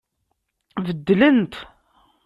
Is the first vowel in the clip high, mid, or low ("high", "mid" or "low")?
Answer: mid